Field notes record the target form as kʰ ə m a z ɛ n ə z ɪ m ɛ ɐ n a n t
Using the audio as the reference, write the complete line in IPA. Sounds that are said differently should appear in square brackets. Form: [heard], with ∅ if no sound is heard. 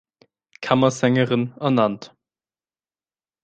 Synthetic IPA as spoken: kʰ [a] m [ɐ] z ɛ [ŋ] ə [ʁ] ɪ [n] ɛ ɐ n a n t